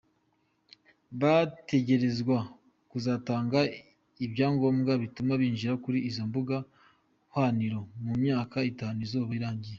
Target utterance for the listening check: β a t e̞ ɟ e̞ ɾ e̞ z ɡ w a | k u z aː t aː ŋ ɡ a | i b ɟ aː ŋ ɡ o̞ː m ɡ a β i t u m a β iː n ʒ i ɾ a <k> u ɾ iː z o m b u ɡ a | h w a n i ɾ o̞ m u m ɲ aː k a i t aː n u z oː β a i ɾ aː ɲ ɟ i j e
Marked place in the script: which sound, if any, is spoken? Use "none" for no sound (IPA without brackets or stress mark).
k